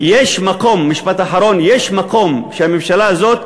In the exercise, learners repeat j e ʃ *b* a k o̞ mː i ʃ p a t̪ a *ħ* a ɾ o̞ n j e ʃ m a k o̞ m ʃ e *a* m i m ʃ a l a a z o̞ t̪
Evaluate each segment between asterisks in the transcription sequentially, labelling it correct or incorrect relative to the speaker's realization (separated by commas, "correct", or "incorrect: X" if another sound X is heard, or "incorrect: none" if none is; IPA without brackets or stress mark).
incorrect: m, correct, correct